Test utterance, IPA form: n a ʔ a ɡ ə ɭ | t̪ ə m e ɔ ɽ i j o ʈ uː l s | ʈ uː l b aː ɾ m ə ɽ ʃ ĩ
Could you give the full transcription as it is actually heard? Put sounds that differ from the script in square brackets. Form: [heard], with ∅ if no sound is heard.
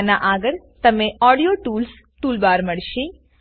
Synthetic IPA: n a ʔ a ɡ ə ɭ | t̪ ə m e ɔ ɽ i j o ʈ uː l s | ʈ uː l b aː ɾ m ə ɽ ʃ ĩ